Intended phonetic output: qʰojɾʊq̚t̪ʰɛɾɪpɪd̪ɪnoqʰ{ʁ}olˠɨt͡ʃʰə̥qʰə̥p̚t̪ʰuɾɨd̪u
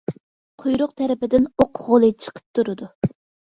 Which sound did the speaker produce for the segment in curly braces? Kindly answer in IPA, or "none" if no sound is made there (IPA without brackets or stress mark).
ʁ